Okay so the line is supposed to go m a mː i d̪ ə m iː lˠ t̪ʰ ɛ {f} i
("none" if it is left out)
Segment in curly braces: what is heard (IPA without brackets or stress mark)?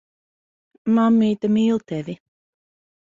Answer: v